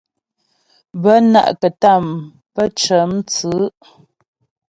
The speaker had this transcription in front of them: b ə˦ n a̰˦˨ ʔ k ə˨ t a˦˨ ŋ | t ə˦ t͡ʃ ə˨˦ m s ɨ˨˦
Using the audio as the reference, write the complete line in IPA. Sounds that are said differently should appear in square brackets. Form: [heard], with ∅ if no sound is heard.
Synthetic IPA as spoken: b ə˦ n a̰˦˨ ʔ k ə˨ t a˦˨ [m] | [p] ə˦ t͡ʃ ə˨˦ m [t͡s] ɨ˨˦